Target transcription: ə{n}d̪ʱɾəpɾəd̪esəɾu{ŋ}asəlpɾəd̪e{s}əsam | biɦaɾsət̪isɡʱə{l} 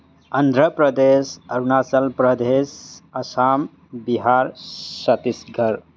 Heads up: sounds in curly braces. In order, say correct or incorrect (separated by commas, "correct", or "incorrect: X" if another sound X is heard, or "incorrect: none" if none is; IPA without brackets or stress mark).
correct, incorrect: n, correct, incorrect: ɾ